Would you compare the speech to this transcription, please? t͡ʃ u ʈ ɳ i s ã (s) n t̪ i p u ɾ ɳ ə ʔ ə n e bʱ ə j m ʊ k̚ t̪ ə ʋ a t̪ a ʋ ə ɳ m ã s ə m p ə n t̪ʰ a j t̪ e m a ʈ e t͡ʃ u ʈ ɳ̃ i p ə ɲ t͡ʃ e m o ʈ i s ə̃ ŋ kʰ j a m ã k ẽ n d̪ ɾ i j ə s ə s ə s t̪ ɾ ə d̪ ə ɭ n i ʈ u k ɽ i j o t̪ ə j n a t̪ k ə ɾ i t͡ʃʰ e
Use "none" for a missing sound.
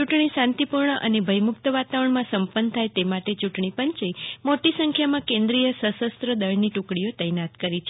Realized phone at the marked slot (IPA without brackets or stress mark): none